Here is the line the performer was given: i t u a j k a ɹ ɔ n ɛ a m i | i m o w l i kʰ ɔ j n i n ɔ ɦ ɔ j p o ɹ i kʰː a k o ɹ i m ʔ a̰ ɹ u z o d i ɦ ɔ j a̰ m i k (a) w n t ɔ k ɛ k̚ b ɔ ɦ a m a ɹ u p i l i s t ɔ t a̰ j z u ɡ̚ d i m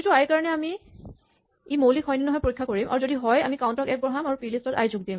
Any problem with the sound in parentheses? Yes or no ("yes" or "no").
no